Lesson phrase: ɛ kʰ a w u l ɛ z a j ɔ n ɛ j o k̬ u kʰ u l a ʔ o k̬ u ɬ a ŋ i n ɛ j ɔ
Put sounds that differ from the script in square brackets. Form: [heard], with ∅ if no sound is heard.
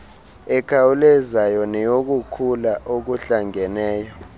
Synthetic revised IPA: ɛ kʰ a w u l ɛ z a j ɔ n ɛ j o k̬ u kʰ u l a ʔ o k̬ u ɬ a ŋ [ɛ] n [ɛː] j ɔ